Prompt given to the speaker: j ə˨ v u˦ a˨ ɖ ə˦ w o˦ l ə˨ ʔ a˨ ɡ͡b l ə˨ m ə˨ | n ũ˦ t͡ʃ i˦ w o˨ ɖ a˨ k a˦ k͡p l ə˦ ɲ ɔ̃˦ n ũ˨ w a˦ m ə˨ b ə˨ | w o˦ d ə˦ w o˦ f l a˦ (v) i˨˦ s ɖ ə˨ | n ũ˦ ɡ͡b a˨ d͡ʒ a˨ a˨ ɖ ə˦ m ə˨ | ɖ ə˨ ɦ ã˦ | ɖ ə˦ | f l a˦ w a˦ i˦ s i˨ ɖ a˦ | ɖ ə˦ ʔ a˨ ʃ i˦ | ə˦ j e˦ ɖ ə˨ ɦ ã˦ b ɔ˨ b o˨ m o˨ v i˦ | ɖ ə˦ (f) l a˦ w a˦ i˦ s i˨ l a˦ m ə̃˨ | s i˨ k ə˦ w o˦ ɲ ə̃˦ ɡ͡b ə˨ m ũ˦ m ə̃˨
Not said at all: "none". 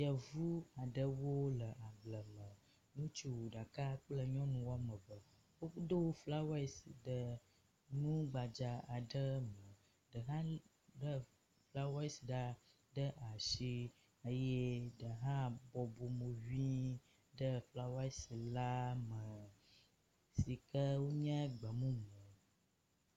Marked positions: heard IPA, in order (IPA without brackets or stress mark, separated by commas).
w, f